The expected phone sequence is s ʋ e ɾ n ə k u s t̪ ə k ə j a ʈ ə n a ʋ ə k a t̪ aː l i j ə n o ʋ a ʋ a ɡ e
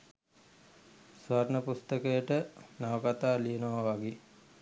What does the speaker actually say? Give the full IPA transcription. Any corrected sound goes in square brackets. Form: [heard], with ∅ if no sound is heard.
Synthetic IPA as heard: s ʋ [a] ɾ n ə [p] u s t̪ ə k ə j [ə] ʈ ə n a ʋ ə k a t̪ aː l i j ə n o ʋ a ʋ a ɡ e

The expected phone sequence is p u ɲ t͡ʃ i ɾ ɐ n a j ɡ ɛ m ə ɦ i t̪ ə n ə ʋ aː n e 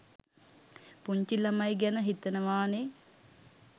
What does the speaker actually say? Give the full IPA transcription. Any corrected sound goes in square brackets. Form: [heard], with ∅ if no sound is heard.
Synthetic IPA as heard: p u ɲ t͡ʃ i [l] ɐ [m] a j ɡ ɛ [n] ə ɦ i t̪ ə n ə ʋ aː n e

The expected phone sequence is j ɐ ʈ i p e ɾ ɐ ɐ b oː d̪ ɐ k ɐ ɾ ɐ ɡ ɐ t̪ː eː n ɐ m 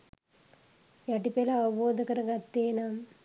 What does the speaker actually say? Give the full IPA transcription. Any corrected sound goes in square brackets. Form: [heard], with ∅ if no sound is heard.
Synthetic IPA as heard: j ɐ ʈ i p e [l] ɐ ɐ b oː d̪ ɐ k ɐ ɾ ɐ ɡ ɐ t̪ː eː n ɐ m

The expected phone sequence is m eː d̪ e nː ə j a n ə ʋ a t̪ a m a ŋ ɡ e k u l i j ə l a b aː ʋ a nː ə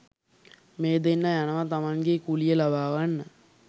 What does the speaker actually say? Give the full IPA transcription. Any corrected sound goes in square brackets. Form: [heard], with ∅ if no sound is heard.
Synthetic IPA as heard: m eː d̪ e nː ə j a n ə ʋ a t̪ a m a ŋ ɡ e k u l i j ə l a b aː ʋ a nː ə

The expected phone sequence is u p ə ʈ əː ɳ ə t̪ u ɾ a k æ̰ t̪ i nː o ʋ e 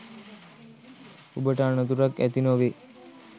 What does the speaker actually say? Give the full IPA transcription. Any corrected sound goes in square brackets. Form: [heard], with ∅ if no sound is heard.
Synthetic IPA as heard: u [b] ə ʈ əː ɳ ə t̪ u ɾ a k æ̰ t̪ i [n] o ʋ e

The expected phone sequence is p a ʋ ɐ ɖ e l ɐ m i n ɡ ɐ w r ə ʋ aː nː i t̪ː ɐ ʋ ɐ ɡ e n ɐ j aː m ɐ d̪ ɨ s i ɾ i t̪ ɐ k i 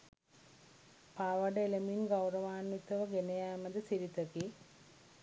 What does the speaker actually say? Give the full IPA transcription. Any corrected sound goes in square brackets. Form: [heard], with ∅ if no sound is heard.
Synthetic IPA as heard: p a ʋ ɐ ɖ e l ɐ m i n ɡ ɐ w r [ɐ] ʋ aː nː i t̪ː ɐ ʋ ɐ ɡ e n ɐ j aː m ɐ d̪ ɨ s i ɾ i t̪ ɐ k i

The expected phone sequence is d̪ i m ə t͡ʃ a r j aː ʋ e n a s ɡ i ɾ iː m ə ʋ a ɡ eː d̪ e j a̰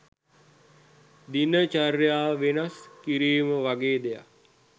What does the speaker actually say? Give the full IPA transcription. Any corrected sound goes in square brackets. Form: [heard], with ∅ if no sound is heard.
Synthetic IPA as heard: d̪ i [n] ə t͡ʃ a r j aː ʋ e n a s [k] i ɾ iː m ə ʋ a ɡ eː d̪ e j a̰

